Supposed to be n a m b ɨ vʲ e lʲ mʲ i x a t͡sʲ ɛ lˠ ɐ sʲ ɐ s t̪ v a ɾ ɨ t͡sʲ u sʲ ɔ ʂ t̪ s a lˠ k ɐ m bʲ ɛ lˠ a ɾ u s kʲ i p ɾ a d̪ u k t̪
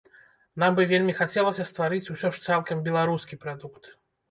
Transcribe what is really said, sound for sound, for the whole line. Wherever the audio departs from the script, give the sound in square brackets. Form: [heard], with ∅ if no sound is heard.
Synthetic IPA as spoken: n a m b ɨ vʲ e lʲ mʲ i x a t͡sʲ ɛ lˠ ɐ sʲ ɐ s t̪ v a ɾ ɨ t͡sʲ u sʲ ɔ ʂ t̪ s a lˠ k ɐ m bʲ ɛ lˠ a ɾ u s kʲ i p ɾ a d̪ u k t̪